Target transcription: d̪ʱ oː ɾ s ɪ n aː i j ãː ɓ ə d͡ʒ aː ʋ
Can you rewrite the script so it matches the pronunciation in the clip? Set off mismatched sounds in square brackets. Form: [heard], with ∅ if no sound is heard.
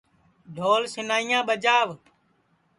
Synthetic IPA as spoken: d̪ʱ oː [l] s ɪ n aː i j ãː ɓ ə d͡ʒ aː ʋ